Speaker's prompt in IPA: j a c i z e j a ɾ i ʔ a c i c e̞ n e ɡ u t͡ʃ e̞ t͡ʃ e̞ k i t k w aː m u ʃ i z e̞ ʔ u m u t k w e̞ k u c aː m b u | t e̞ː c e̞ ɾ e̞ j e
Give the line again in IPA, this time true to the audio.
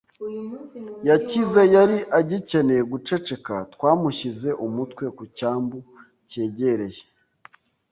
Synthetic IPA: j a c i z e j a ɾ i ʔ a ɟ i c e̞ n e ɡ u t͡ʃ e̞ t͡ʃ e̞ k a t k w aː m u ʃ i z e̞ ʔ u m u t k w e̞ k u c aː m b u | c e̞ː ɟ e̞ ɾ e̞ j e

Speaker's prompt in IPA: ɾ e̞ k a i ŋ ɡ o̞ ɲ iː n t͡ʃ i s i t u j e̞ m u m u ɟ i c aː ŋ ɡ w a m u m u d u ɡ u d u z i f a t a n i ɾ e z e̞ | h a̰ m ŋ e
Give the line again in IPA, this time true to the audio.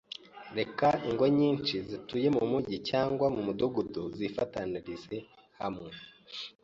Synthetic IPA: ɾ e̞ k a i ŋ ɡ o̞ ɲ iː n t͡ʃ i z i t u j e̞ m u m u ɟ i c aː ŋ ɡ w a m u m u d u ɡ u d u z i f a t a n i ɾ i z e̞ | h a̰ m ŋ e

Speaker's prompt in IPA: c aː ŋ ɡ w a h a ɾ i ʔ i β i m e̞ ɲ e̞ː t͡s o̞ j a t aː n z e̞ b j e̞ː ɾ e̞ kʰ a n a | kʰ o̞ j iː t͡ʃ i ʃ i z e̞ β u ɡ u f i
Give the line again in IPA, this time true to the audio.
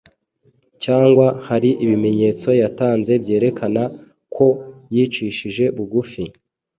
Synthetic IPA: c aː ŋ ɡ w a h a ɾ i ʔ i β i m e̞ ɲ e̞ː t͡s o̞ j a t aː n z e̞ b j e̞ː ɾ e̞ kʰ a n a | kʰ o̞ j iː t͡ʃ i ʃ i ʒ e̞ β u ɡ u f i

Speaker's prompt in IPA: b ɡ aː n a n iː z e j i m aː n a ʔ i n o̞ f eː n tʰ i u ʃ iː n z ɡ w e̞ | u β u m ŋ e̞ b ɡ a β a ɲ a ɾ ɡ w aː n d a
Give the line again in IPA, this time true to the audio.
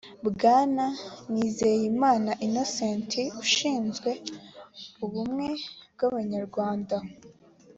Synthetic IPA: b ɡ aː n a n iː z e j i m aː n a ʔ i n o̞ s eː n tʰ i u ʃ iː n z ɡ w e̞ | u β u m ŋ e̞ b ɡ a β a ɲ a ɾ ɡ w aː n d a

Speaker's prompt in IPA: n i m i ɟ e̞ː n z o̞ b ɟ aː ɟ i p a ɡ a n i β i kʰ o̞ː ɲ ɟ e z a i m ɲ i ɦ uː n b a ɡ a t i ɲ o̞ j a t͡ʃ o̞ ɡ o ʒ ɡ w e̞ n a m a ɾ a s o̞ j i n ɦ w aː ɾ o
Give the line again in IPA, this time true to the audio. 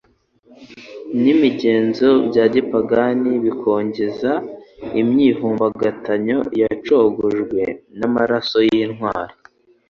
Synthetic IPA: n i m i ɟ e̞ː n z o̞ b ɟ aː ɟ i p a ɡ a n i β i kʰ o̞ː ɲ ɟ e z a i m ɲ i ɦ uː m b a ɡ a t a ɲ o̞ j a t͡ʃ o̞ ɡ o ʒ ɡ w e̞ n a m a ɾ a s o̞ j i n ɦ w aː ɾ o

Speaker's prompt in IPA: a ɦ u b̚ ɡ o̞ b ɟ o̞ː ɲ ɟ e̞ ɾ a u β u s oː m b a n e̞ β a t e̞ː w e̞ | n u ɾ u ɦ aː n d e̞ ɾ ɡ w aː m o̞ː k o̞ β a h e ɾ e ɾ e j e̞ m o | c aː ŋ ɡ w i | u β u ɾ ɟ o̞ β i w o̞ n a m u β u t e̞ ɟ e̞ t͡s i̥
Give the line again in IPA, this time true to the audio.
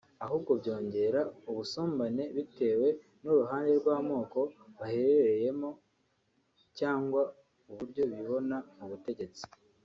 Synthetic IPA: a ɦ u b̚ ɡ o̞ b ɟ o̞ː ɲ ɟ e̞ ɾ a u β u s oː m b a n e̞ β i t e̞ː w e̞ | n u ɾ u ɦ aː n d e̞ ɾ ɡ w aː m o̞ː k o̞ β a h e ɾ e ɾ e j e̞ m o | c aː ŋ ɡ w a | u β u ɾ ɟ o̞ β i β o̞ n a m u β u t e̞ ɟ e̞ t͡s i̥

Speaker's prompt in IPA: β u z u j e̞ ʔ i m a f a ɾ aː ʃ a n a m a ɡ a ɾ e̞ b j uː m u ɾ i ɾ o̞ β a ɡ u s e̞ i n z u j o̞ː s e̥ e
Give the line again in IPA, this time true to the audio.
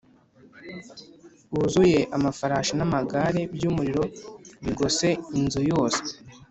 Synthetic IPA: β u z u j e̞ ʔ a m a f a ɾ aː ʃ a n a m a ɡ a ɾ e̞ b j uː m u ɾ i ɾ o̞ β i ɡ o s e̞ i n z u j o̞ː s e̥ e

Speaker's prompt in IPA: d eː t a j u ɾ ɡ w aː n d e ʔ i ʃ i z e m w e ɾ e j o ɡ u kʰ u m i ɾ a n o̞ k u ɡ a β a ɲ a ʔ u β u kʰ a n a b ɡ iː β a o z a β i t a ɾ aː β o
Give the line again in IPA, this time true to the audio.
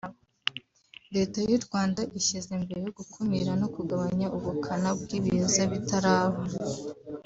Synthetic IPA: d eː t a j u ɾ ɡ w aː n d a ʔ i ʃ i z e m b e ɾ e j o ɡ u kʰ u m i ɾ a n o̞ k u ɡ a β a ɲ a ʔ u β u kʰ a n a b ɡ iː β i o z a β i t a ɾ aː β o

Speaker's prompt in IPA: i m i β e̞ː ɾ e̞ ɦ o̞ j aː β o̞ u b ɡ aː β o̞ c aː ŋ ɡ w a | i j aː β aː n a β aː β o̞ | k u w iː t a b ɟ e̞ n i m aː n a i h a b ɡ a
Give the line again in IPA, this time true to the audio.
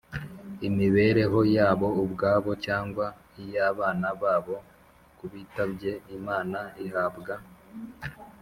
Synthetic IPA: i m i β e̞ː ɾ e̞ ɦ o̞ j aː β o̞ u b ɡ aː β o̞ c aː ŋ ɡ w a | i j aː β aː n a β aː β o̞ | k u β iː t a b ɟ e̞ i m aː n a i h a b ɡ a

